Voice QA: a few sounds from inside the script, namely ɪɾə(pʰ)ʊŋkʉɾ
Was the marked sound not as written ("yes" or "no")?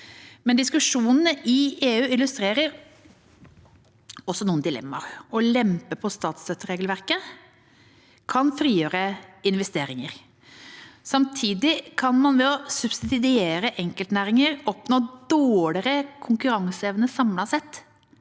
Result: yes